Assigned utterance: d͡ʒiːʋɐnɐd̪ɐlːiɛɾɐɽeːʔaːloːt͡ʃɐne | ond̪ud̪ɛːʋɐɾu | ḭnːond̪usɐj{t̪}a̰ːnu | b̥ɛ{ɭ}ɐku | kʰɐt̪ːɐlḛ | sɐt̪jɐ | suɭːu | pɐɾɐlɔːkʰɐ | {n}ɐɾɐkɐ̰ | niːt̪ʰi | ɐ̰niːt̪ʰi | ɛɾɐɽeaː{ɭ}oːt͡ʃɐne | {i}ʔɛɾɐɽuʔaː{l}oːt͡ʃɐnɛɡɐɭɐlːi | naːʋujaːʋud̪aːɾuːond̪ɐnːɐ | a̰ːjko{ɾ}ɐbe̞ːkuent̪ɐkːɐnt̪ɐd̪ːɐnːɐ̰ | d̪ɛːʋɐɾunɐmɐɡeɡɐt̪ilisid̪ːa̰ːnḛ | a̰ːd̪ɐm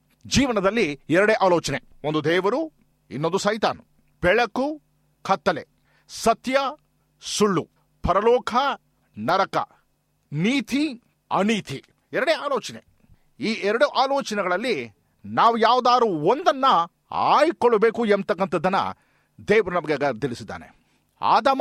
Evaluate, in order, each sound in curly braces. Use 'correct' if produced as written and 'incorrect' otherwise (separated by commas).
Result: correct, correct, correct, incorrect, incorrect, correct, incorrect